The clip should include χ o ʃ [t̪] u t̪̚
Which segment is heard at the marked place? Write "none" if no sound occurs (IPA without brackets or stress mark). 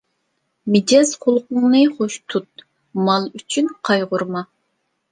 t̪ʰ